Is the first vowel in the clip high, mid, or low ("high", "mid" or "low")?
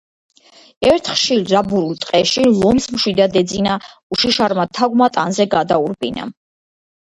mid